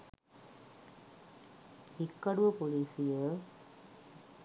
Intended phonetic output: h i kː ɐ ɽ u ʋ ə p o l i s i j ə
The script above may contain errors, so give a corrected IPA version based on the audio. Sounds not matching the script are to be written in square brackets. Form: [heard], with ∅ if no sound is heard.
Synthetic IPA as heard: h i kː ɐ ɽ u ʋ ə p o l [iː] s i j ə